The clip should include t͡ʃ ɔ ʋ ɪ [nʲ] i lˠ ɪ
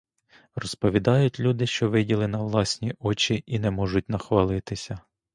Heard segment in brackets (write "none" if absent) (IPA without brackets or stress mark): dʲ